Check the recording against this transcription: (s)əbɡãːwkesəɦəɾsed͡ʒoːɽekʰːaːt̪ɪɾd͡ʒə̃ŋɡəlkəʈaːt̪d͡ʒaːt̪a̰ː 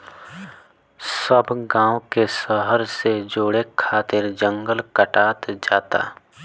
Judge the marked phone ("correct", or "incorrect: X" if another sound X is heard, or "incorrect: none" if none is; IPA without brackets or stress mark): correct